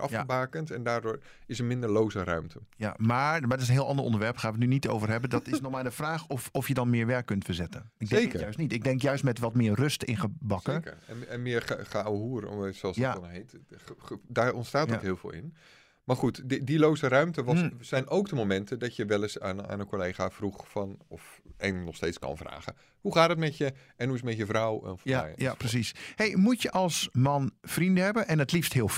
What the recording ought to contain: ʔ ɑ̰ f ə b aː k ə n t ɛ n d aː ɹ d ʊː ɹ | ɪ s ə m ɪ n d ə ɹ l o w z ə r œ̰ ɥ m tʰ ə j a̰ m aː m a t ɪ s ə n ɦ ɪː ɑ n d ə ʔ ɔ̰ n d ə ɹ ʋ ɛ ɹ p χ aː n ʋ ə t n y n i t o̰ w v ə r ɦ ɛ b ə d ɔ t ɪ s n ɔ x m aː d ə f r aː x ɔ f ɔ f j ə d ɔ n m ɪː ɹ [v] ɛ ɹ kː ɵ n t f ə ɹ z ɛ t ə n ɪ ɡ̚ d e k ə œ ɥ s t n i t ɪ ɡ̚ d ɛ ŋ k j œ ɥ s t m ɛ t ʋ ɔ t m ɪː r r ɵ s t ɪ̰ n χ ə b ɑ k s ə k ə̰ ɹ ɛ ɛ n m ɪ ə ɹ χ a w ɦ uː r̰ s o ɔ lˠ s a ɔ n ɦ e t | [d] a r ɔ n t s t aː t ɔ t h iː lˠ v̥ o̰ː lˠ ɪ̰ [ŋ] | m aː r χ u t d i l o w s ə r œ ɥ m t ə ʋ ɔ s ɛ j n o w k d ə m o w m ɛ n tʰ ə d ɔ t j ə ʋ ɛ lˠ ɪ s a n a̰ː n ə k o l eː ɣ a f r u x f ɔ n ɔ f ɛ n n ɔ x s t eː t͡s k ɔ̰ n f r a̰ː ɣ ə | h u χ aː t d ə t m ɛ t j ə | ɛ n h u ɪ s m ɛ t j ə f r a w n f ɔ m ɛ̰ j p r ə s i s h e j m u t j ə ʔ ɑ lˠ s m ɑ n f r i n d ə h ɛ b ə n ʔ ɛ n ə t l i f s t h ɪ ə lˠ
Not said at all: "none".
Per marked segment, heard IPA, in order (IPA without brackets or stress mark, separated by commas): ʋ, d, n